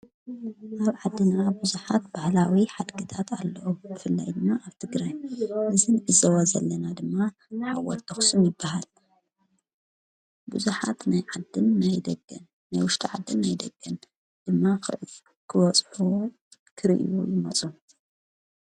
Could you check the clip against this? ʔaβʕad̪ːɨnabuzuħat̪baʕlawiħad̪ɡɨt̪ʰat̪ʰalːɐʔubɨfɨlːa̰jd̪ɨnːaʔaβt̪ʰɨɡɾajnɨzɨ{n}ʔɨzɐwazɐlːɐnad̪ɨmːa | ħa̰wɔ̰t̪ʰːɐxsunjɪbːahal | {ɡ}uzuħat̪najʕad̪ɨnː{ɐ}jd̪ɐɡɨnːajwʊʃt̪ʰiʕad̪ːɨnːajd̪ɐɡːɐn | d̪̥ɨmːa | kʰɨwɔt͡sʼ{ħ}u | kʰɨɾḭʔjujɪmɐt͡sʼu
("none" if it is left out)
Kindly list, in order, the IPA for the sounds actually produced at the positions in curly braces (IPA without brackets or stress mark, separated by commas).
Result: n, b, a, ħ